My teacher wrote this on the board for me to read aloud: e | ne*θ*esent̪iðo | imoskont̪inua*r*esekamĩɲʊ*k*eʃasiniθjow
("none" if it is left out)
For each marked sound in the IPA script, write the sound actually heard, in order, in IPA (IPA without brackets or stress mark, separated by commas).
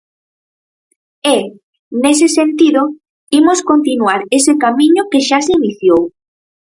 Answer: s, ɾ, k